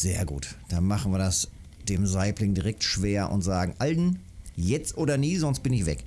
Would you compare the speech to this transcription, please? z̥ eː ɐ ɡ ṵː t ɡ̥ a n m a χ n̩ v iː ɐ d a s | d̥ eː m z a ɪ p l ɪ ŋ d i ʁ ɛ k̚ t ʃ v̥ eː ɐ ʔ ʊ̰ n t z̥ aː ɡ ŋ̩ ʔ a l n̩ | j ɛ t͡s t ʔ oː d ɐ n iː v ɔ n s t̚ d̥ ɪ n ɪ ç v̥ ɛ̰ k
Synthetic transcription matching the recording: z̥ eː ɐ ɡ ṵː t d̥ a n m a χ n̩ v iː ɐ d a s | d̥ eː m z a ɪ p l ɪ ŋ d i ʁ ɛ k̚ t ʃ v̥ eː ɐ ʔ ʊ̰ n t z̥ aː ɡ ŋ̩ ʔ a l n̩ | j ɛ t͡s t ʔ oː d ɐ n iː z ɔ n s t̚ b̥ ɪ n ɪ ç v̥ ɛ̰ k